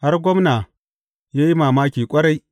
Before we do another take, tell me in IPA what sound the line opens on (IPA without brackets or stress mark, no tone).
h